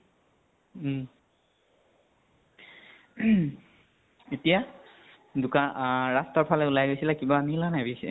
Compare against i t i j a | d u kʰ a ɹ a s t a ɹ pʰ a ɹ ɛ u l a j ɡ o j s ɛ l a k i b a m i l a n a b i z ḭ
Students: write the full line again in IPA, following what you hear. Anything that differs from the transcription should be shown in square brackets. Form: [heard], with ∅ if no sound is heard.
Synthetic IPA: [e] t i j a | d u [k] a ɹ a s t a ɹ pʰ a [l] ɛ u l a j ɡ o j s [i] l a k i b a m i l a n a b i [s] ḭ